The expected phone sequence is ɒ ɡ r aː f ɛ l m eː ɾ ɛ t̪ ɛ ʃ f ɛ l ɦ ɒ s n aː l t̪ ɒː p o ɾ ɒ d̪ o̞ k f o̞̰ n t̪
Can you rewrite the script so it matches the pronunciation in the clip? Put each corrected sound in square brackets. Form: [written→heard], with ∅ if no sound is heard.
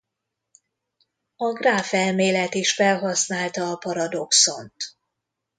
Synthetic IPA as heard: ɒ ɡ r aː f ɛ l m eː [ɾ→l] ɛ t̪ [ɛ→i] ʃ f ɛ l ɦ ɒ s n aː l t̪ ɒː p [o→ɒ] ɾ ɒ d̪ o̞ k [f→s] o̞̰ n t̪

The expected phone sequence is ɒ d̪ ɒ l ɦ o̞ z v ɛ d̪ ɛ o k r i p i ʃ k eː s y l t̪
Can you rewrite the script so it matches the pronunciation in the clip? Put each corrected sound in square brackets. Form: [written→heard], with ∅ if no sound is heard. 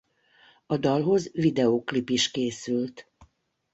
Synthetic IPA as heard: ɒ d̪ ɒ l ɦ o̞ z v [ɛ→i] d̪ ɛ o k [r→l] i p i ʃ k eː s y l t̪

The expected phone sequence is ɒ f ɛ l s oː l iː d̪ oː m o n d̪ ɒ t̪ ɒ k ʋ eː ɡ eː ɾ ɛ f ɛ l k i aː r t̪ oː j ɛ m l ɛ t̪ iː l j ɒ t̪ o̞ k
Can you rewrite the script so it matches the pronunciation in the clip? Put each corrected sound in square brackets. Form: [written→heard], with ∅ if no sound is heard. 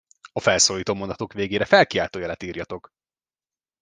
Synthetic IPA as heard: ɒ f ɛ l s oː l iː [d̪→t̪] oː m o n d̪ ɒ t̪ [ɒ→o] k ʋ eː ɡ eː ɾ ɛ f ɛ l k i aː [r→l] t̪ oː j ɛ [m→∅] l ɛ t̪ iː [l→r] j ɒ t̪ o̞ k

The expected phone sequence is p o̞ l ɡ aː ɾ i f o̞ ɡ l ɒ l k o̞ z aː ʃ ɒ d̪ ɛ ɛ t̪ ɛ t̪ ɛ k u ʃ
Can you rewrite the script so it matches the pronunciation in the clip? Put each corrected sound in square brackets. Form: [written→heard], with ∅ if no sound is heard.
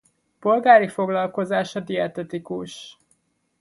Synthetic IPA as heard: p o̞ l ɡ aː ɾ i f o̞ ɡ l ɒ l k o̞ z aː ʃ ɒ d̪ [ɛ→i] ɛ t̪ ɛ t̪ [ɛ→i] k u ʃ

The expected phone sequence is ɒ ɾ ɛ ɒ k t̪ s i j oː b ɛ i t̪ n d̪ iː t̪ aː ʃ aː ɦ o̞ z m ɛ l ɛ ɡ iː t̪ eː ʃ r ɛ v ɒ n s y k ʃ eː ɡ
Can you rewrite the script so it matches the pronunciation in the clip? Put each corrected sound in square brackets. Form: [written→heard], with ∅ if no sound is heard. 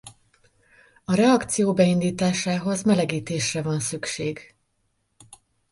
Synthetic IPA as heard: ɒ ɾ ɛ ɒ k t̪ s i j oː b ɛ i [t̪→∅] n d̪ iː t̪ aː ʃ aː ɦ o̞ z m ɛ l ɛ ɡ iː t̪ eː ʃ r ɛ v ɒ n s y k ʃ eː ɡ

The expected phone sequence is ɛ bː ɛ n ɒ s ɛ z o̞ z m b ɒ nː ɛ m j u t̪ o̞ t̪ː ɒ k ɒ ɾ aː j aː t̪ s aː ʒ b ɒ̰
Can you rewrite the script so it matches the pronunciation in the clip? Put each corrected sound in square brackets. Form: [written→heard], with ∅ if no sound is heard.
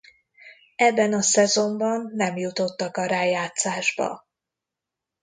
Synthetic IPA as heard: ɛ bː ɛ n ɒ s ɛ z o̞ [z→∅] m b ɒ nː ɛ m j u t̪ o̞ t̪ː ɒ k ɒ ɾ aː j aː t̪ s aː ʒ b ɒ̰

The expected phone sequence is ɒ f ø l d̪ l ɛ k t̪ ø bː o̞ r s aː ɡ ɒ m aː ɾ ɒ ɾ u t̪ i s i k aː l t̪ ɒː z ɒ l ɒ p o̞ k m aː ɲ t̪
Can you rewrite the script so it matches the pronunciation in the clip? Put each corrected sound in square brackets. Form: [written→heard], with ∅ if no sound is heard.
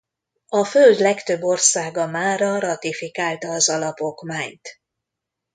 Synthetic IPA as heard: ɒ f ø l d̪ l ɛ k t̪ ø bː o̞ r s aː ɡ ɒ m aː ɾ ɒ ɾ [u→ɒ] t̪ i [s→f] i k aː l t̪ ɒː z ɒ l ɒ p o̞ k m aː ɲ t̪

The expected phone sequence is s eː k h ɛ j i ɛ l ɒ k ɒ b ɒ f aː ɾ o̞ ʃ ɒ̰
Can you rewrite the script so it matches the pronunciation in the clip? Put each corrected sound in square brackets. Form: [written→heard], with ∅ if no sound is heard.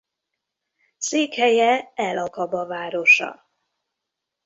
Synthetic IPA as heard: s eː k h ɛ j [i→ɛ] ɛ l ɒ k ɒ b ɒ [f→v] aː ɾ o̞ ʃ ɒ̰

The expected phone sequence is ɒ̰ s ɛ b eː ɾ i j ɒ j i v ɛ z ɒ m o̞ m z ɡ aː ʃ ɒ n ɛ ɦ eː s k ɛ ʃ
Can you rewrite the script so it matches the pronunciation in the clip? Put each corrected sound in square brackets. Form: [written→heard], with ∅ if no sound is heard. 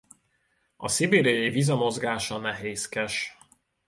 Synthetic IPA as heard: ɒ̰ s [ɛ→i] b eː ɾ i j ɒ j i v [ɛ→i] z ɒ m o̞ [m→∅] z ɡ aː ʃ ɒ n ɛ ɦ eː s k ɛ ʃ

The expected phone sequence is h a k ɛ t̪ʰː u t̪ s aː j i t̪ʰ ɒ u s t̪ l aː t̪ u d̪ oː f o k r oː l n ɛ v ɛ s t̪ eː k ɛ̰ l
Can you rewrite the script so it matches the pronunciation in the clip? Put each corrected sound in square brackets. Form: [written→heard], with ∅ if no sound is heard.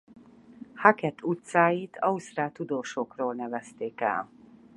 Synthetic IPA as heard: h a k ɛ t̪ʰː u t̪ s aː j i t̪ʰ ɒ u s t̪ [l→r] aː t̪ u d̪ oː [f→ʃ] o k r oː l n ɛ v ɛ s t̪ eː k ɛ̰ l

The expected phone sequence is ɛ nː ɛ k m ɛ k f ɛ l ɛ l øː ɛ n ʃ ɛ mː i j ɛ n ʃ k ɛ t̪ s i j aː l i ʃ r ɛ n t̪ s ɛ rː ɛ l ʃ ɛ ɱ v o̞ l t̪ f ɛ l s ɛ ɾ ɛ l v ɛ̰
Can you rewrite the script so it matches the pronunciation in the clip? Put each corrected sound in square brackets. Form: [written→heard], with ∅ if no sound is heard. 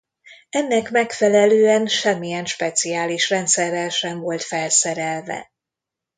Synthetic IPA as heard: ɛ nː ɛ k m ɛ k f ɛ l ɛ l øː ɛ n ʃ ɛ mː i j ɛ n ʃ [k→p] ɛ t̪ s i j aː l i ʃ r ɛ n t̪ s ɛ rː ɛ l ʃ ɛ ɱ v o̞ l t̪ f ɛ l s ɛ ɾ ɛ l v ɛ̰

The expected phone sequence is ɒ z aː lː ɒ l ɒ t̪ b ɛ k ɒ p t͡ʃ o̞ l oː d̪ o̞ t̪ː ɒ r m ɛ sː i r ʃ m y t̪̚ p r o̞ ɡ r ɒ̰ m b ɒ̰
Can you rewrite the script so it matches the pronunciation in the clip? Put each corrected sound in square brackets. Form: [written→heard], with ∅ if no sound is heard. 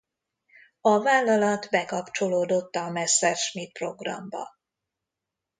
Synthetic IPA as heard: ɒ [z→v] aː lː ɒ l ɒ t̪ b ɛ k ɒ p t͡ʃ o̞ l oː d̪ o̞ t̪ː ɒ [r→∅] m ɛ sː [i→ɛ] r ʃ m [y→i] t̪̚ p r o̞ ɡ r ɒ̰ m b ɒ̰

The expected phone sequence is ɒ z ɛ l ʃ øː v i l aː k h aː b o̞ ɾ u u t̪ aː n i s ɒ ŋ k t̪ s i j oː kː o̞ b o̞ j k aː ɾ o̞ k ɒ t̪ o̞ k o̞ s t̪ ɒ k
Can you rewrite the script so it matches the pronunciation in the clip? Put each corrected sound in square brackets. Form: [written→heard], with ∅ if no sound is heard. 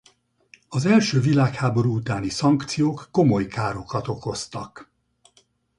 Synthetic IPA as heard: ɒ z ɛ l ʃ øː v i l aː k h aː b o̞ ɾ u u t̪ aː n i s ɒ ŋ k t̪ s i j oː kː o̞ [b→m] o̞ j k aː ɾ o̞ k ɒ t̪ o̞ k o̞ s t̪ ɒ k

